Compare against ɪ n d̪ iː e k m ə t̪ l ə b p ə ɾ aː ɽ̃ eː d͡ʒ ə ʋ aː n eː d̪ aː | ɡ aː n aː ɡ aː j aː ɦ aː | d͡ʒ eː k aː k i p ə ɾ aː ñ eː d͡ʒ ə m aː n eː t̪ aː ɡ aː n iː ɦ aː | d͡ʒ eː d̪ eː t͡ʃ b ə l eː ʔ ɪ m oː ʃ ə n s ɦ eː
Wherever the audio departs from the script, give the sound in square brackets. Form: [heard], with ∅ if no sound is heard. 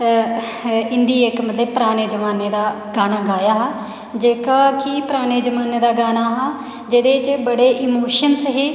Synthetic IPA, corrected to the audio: ɪ n d̪ iː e k m ə t̪ l ə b p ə ɾ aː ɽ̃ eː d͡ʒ ə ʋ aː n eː d̪ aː | ɡ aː n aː ɡ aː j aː ɦ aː | d͡ʒ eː k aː k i p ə ɾ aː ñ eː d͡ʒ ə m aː n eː [d̪] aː ɡ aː n [aː] ɦ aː | d͡ʒ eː d̪ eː t͡ʃ b ə [ɽ] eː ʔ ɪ m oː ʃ ə n s ɦ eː